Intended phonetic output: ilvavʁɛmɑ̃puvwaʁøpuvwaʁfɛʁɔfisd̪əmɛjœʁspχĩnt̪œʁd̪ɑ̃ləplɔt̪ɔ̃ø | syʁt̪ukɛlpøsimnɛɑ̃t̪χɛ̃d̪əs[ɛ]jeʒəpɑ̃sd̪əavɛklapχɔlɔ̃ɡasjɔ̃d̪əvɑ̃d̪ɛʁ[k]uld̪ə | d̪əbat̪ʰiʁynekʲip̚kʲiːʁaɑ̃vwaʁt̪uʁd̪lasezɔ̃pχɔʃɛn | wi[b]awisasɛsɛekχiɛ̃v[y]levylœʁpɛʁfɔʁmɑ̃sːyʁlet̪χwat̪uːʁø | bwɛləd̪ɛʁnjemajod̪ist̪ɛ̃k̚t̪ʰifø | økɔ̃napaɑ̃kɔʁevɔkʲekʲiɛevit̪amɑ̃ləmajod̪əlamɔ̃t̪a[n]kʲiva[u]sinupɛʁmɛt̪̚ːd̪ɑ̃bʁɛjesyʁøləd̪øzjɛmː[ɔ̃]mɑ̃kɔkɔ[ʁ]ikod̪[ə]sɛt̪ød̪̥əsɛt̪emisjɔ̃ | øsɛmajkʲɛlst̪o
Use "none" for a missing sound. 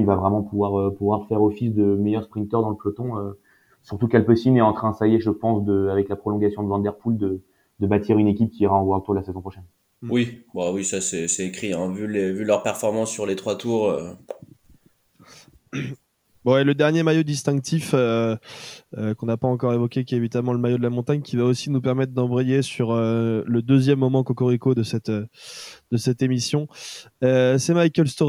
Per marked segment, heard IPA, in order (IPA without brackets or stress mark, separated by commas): a, p, b, y, ɲ, o, ɔ, ʁ, ə